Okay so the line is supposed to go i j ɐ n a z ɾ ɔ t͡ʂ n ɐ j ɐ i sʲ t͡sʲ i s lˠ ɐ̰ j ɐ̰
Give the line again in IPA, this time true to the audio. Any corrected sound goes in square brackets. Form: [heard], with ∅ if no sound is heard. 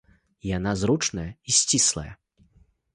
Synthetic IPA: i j [a] n a z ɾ [u] t͡ʂ n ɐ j ɐ i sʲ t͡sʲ i s lˠ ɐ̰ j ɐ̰